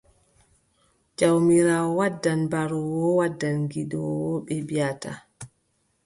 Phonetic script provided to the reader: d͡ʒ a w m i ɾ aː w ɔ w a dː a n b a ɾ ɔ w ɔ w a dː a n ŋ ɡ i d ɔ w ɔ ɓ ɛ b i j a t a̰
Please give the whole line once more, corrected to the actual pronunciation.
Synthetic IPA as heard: d͡ʒ a w m i ɾ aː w ɔ w a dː a n b a ɾ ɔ w ɔ w a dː a n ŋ ɡ i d ɔ w ɔ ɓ ɛ b i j a t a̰